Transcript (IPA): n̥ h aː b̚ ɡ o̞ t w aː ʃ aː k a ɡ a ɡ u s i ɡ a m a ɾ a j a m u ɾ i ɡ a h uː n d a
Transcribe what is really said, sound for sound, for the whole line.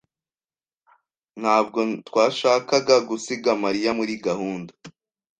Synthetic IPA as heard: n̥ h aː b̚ ɡ o̞ t w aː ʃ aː k a ɡ a ɡ u s i ɡ a m a ɾ i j a m u ɾ i ɡ a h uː n d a